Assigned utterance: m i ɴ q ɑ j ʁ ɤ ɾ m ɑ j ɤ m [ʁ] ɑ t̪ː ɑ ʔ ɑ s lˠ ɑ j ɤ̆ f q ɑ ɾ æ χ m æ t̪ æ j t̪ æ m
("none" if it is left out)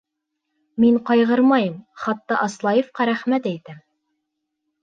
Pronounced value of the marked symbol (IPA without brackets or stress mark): χ